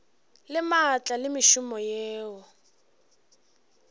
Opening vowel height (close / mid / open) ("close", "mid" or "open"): close